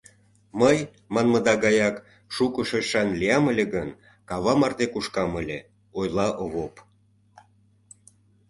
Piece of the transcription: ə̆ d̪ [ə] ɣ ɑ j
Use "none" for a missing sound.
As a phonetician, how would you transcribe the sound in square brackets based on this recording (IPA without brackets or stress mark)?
ɑ